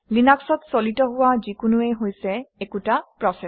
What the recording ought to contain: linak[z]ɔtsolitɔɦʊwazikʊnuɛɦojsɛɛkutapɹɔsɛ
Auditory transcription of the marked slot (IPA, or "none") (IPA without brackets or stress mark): s